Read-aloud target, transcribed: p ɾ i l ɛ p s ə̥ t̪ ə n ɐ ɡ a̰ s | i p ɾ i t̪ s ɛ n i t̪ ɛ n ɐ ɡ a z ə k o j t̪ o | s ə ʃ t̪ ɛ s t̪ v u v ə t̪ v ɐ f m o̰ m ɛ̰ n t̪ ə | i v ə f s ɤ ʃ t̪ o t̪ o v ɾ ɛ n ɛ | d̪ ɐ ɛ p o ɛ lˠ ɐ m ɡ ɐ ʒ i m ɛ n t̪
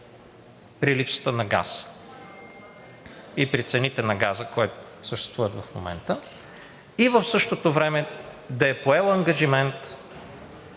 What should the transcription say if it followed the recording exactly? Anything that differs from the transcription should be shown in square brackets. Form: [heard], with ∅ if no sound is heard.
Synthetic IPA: p ɾ i l [i] p s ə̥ t̪ ə n ɐ ɡ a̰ s | i p ɾ i t̪ s ɛ n i t̪ ɛ n ɐ ɡ a z ə k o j t̪ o | s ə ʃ t̪ ɛ s t̪ v u v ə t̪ v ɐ f m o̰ m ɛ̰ n t̪ ə | i v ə f s ɤ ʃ t̪ o t̪ o v ɾ ɛ [m] ɛ | d̪ ɐ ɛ p o ɛ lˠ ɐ [ŋ] ɡ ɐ ʒ i m ɛ n t̪